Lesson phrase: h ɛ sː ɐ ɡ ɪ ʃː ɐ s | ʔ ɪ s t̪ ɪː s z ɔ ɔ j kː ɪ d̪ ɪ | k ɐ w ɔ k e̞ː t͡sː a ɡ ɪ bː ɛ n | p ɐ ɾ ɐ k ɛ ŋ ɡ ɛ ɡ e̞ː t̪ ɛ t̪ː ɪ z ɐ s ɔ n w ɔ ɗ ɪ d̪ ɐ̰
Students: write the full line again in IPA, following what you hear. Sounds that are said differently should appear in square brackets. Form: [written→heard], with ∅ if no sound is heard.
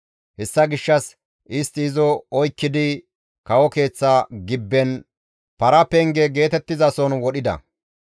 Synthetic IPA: h ɛ sː ɐ ɡ ɪ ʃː ɐ s | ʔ ɪ s t̪ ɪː [s→∅] z ɔ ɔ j kː ɪ d̪ ɪ | k ɐ w ɔ k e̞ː t͡sː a ɡ ɪ bː ɛ n | p ɐ ɾ ɐ [k→p] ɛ ŋ ɡ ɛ ɡ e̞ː t̪ ɛ t̪ː ɪ z ɐ s ɔ n w ɔ ɗ ɪ d̪ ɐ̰